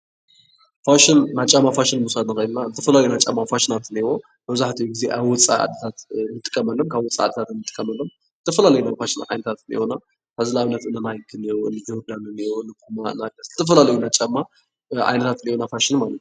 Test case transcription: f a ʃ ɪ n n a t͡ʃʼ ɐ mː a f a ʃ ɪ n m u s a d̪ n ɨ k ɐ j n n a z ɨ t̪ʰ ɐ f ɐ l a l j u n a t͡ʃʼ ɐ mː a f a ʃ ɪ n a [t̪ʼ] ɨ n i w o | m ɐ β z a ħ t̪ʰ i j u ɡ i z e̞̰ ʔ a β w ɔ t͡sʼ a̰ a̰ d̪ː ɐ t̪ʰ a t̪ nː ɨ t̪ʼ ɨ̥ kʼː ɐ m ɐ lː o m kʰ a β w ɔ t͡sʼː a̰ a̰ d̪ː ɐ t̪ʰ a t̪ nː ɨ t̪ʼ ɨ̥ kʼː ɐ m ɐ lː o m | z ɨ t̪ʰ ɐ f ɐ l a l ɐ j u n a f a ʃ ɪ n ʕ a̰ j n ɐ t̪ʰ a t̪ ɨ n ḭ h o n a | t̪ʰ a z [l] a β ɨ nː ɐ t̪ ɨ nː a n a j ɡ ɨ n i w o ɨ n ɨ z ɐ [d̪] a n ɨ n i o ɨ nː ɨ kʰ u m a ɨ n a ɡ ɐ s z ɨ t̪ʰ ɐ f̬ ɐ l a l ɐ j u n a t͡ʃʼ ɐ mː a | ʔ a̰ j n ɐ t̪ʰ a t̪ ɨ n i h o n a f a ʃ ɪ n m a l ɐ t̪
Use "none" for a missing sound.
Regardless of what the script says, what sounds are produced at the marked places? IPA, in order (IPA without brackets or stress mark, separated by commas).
t̪, l, d̪